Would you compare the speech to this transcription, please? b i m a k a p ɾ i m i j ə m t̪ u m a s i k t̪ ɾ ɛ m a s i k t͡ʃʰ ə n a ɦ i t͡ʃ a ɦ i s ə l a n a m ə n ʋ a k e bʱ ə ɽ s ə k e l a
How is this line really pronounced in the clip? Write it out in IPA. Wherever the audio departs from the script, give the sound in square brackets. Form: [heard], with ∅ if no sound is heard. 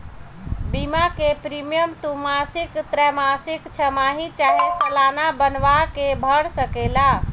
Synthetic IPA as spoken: b i m a k [e] p ɾ i m i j ə m t̪ u m a s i k t̪ ɾ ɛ m a s i k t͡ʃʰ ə [m] a ɦ i t͡ʃ a ɦ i s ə l a n a [b] ə n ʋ a k e bʱ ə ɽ s ə k e l a